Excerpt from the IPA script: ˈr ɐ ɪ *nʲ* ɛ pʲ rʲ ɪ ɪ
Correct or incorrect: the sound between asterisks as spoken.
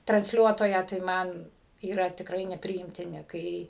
correct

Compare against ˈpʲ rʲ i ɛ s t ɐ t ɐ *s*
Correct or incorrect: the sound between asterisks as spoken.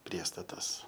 correct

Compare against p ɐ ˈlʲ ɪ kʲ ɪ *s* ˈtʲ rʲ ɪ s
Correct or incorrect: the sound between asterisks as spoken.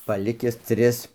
correct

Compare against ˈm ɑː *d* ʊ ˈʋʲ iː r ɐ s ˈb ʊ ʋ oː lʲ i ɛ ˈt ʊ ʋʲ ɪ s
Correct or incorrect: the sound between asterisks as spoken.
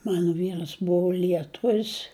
incorrect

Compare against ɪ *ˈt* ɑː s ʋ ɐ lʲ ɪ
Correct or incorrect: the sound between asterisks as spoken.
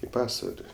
incorrect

